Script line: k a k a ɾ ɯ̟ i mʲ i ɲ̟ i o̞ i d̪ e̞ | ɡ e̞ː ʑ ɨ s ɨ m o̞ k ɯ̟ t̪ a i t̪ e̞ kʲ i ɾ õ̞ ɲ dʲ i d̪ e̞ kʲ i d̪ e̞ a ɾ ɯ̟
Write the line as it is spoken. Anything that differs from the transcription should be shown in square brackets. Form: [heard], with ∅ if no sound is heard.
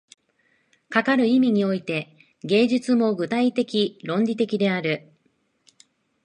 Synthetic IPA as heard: k a k a ɾ ɯ̟ i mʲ i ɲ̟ i o̞ i [t̪] e̞ | ɡ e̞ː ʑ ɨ [t͡s] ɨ m o̞ [ɡ] ɯ̟ t̪ a i t̪ e̞ kʲ i ɾ õ̞ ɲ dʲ i [t̪] e̞ kʲ i d̪ e̞ a ɾ ɯ̟